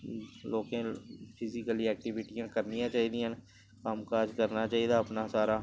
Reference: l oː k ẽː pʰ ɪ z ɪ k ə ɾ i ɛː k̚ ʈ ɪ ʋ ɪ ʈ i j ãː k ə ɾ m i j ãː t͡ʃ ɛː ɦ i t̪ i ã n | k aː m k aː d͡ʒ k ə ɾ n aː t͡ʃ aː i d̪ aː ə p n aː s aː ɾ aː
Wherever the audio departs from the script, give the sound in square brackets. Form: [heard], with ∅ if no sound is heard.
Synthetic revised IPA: l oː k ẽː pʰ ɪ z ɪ k ə [l] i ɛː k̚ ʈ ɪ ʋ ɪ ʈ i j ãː k ə ɾ [n] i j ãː t͡ʃ [aː] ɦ i [d̪] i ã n | k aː m k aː d͡ʒ k ə ɾ n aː t͡ʃ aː i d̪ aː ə p n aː s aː ɾ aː